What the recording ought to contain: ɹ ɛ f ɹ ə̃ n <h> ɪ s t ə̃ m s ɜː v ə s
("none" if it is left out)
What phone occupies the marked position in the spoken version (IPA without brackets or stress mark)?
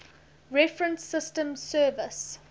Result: s